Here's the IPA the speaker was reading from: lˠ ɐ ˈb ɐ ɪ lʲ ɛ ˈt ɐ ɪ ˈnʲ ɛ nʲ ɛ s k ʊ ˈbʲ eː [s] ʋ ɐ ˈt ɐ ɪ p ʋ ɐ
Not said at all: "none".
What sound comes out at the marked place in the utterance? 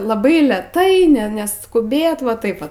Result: t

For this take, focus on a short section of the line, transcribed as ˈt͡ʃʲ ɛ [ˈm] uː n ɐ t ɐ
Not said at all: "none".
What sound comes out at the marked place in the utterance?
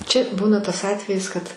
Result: b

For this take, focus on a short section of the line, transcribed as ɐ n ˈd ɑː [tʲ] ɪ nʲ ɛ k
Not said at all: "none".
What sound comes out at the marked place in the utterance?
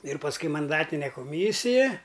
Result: tʲ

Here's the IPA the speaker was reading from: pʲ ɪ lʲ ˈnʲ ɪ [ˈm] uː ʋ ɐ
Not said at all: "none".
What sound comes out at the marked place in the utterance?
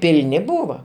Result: b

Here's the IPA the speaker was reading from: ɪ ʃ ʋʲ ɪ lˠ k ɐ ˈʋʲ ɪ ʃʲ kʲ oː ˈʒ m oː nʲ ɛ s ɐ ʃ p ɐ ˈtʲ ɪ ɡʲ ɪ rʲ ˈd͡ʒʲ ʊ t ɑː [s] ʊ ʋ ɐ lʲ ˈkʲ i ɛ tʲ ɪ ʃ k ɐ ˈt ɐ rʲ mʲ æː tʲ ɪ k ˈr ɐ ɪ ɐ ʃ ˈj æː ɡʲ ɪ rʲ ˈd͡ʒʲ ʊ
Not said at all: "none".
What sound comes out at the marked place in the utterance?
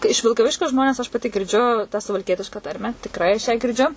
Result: s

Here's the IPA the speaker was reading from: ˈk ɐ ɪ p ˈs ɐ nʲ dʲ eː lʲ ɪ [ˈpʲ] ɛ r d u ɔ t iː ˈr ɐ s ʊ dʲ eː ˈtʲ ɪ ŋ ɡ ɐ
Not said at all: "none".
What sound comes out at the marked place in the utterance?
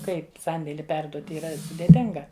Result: pʲ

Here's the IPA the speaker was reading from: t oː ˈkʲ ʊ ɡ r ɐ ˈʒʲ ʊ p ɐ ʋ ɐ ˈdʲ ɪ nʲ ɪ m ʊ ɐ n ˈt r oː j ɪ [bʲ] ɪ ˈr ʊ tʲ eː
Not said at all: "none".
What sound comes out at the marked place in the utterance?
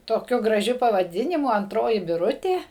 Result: bʲ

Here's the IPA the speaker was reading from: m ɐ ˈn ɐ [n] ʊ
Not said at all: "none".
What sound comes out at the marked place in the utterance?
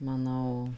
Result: none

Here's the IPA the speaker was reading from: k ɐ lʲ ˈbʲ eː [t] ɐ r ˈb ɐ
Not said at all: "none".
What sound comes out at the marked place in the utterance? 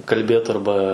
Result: t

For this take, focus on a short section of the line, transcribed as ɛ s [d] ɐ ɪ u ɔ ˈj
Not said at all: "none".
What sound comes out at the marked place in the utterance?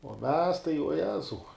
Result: t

